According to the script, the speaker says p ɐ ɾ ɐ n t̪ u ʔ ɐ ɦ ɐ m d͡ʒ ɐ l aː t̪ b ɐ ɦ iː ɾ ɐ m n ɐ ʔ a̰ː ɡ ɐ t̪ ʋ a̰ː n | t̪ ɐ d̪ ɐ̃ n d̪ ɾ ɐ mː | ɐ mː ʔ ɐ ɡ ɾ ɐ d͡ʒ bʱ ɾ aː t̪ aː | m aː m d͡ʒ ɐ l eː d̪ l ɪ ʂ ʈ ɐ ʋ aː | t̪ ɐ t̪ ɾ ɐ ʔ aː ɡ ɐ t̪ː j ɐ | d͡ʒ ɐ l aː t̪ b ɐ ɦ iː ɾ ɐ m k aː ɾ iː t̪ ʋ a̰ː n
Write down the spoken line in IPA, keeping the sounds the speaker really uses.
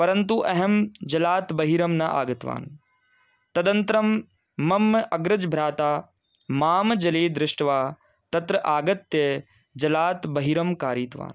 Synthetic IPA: p ɐ ɾ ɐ n t̪ u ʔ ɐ ɦ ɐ m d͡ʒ ɐ l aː t̪ b ɐ ɦ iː ɾ ɐ m n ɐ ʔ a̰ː ɡ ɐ t̪ ʋ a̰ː n | t̪ ɐ d̪ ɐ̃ n t̪ ɾ ɐ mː | ɐ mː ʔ ɐ ɡ ɾ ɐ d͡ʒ bʱ ɾ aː t̪ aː | m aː m d͡ʒ ɐ l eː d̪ ɾ ɪ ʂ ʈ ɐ ʋ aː | t̪ ɐ t̪ ɾ ɐ ʔ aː ɡ ɐ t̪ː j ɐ | d͡ʒ ɐ l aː t̪ b ɐ ɦ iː ɾ ɐ m k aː ɾ iː t̪ ʋ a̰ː n